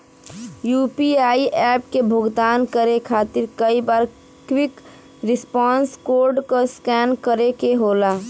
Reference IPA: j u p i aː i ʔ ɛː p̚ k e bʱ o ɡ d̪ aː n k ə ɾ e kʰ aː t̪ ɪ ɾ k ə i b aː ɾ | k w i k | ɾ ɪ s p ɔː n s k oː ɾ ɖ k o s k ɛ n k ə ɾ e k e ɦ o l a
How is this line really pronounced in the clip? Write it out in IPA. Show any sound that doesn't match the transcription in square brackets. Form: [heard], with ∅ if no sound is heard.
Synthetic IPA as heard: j u p i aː i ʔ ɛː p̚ k e bʱ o ɡ d̪ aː n k ə ɾ e kʰ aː t̪ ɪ ɾ k ə i b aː ɾ | k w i k | ɾ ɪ s p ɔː n s k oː ɾ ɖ k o s k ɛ n k ə ɾ e k e ɦ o l a